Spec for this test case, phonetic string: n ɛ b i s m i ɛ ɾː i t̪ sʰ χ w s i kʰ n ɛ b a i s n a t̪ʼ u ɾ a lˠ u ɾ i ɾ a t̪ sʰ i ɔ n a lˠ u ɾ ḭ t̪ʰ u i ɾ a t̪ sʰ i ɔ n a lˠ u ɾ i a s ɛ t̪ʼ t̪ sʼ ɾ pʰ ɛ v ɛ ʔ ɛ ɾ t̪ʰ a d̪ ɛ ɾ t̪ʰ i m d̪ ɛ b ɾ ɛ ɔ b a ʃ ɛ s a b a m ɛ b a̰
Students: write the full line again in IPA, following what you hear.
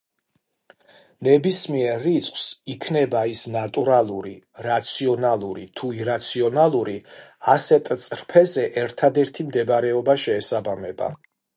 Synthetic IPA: n ɛ b i s m i ɛ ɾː i t̪ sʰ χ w s i kʰ n ɛ b a i s n a t̪ʼ u ɾ a lˠ u ɾ i ɾ a t̪ sʰ i ɔ n a lˠ u ɾ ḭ t̪ʰ u i ɾ a t̪ sʰ i ɔ n a lˠ u ɾ i a s ɛ t̪ʼ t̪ sʼ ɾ pʰ ɛ z ɛ ʔ ɛ ɾ t̪ʰ a d̪ ɛ ɾ t̪ʰ i m d̪ ɛ b ɾ ɛ ɔ b a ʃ ɛː s a b a m ɛ b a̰